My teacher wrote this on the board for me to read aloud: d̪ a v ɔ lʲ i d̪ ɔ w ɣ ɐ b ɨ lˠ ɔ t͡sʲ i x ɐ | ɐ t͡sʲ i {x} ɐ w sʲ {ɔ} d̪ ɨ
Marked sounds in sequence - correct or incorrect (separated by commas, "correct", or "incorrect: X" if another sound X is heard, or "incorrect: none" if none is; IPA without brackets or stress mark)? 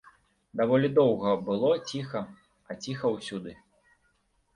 correct, incorrect: u